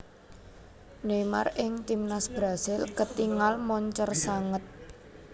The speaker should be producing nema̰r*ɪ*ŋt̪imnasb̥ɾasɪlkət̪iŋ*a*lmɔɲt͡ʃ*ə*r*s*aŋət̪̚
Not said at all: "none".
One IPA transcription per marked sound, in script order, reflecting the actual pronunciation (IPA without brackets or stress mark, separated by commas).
ɪ, a, ə, s